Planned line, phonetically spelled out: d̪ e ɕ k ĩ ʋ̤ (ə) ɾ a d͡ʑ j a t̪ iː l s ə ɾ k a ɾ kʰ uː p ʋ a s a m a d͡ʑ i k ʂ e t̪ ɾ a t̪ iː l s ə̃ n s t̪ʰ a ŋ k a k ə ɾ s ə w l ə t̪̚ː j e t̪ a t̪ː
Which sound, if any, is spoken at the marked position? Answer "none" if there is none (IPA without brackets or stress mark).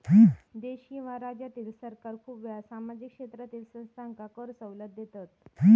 a